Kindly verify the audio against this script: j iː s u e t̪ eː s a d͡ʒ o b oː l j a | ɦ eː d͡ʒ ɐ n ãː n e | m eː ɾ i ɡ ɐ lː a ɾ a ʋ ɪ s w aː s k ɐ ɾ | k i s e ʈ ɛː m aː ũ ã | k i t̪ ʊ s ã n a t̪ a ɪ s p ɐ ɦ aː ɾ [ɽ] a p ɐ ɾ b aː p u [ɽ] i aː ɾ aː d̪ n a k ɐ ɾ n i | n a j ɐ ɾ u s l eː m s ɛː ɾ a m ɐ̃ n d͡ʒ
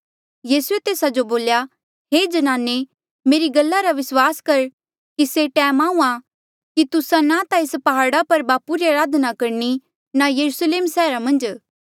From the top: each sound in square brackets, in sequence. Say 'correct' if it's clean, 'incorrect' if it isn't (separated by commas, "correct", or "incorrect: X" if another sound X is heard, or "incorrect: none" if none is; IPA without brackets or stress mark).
correct, incorrect: ɾ